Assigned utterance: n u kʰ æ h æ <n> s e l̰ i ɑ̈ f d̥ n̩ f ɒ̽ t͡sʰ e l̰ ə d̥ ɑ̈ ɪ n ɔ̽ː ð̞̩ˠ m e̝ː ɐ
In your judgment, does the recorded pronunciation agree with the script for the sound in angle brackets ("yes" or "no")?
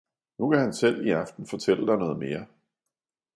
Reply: yes